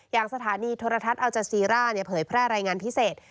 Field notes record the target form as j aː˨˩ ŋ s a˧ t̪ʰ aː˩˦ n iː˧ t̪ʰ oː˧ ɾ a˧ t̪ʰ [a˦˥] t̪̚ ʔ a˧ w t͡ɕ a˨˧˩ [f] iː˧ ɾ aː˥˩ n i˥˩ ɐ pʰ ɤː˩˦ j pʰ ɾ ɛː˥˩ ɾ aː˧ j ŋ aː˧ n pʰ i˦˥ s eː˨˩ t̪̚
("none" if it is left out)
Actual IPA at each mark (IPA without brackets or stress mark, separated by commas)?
a˦˥, s